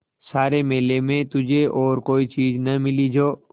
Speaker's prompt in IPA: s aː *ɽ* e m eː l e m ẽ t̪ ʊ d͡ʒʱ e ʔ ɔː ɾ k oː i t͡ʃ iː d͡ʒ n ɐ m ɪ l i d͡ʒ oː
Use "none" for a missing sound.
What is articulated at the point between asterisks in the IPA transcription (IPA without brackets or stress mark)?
ɾ